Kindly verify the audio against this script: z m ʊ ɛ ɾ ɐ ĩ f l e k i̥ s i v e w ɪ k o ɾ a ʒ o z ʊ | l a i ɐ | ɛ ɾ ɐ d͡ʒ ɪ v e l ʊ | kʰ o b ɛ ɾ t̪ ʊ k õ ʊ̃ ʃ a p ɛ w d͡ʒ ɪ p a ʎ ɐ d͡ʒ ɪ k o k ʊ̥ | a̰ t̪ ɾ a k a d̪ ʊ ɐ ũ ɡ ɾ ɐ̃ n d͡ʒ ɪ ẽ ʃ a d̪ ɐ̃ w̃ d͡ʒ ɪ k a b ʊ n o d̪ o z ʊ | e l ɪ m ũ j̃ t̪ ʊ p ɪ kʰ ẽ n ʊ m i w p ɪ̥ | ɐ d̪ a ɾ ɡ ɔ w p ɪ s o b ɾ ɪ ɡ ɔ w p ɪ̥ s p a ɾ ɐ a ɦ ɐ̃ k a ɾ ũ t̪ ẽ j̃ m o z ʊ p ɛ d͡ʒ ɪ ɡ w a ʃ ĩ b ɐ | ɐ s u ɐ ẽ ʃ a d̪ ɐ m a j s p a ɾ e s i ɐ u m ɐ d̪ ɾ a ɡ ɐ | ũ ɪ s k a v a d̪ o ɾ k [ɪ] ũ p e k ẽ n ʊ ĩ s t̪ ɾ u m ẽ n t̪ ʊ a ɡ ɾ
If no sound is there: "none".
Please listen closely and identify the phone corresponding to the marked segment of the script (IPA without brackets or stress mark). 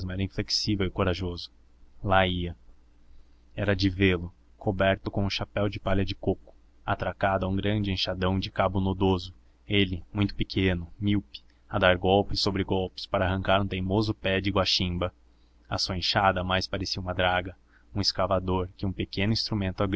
ɪ